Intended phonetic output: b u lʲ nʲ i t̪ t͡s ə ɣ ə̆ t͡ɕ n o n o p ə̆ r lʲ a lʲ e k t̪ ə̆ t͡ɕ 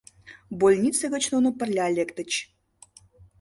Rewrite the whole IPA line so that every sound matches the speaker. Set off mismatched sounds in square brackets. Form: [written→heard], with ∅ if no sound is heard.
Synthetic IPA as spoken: b [u→o] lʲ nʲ i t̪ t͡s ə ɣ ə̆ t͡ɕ n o n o p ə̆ r lʲ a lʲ e k t̪ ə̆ t͡ɕ